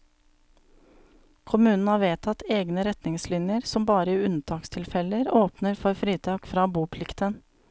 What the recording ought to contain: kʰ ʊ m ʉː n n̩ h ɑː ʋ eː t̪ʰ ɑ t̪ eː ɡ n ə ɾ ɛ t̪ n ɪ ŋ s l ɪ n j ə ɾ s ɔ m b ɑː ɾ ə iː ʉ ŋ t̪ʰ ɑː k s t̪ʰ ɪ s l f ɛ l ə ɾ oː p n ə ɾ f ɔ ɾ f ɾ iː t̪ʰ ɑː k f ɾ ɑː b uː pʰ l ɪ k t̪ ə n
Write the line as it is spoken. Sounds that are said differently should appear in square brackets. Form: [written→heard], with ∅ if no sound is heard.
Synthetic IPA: kʰ ʊ m ʉː n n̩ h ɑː ʋ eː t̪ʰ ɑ t̪ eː ɡ n ə ɾ ɛ t̪ n ɪ ŋ s l ɪ n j ə ɾ s ɔ m b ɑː ɾ ə iː ʉ [ŋ→n] t̪ʰ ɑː k s t̪ʰ ɪ [s→∅] l f ɛ l ə ɾ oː p n ə ɾ f ɔ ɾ f ɾ iː t̪ʰ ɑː k f ɾ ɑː b uː pʰ l ɪ k t̪ ə n